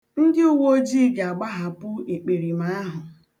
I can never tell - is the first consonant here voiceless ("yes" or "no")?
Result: no